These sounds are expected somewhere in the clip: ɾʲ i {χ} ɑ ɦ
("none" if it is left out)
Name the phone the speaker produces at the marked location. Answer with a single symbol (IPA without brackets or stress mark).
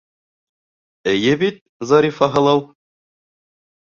f